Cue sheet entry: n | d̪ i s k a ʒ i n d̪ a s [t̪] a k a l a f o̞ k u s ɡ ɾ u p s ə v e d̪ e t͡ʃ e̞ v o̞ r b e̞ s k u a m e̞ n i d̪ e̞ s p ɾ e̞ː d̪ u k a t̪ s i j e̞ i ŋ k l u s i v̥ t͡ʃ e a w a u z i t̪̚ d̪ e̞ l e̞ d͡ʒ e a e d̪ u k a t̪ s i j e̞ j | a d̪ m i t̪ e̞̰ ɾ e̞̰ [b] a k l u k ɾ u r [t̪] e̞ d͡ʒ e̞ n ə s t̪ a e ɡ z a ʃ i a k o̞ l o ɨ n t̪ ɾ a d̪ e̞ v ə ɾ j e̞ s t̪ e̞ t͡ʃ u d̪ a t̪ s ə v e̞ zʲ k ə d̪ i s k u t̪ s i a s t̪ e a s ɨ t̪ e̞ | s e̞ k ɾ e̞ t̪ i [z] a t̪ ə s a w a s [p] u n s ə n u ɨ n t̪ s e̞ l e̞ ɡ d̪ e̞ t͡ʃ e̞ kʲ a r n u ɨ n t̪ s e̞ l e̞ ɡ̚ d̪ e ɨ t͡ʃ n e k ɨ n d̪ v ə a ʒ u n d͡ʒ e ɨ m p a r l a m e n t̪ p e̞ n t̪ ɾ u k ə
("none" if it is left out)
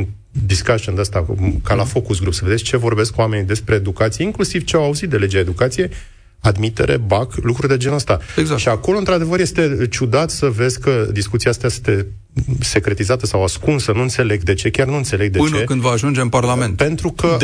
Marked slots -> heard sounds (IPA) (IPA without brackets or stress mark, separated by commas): t̪, b, d̪, z, k